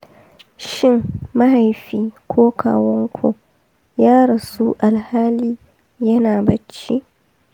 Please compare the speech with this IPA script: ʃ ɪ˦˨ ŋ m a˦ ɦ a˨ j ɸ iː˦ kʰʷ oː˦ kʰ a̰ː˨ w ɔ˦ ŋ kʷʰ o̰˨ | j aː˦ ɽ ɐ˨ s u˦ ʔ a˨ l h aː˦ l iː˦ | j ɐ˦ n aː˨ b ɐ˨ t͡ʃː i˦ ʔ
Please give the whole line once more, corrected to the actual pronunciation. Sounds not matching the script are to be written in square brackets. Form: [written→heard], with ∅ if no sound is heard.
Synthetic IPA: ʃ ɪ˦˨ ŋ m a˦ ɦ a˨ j ɸ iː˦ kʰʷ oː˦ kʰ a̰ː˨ w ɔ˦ ŋ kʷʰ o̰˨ | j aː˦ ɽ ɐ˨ s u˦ ʔ a˨ l h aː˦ l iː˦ | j ɐ˦ n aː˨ b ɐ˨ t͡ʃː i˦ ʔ